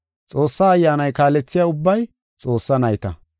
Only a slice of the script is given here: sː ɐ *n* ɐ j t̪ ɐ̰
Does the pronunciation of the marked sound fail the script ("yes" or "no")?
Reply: no